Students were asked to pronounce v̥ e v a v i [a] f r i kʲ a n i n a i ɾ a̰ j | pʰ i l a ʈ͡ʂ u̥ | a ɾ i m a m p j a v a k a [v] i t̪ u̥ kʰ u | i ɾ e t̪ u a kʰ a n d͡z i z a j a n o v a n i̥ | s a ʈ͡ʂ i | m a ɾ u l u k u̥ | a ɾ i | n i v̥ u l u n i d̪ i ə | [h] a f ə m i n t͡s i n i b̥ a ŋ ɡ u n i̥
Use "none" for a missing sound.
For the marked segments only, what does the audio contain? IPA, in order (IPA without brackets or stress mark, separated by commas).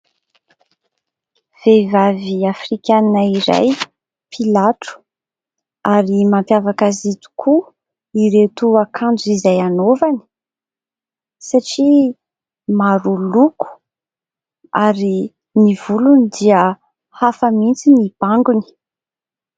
a, z, h